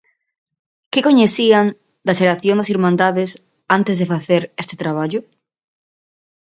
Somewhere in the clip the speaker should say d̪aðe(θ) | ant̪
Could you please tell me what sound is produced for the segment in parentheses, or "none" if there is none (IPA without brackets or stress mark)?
s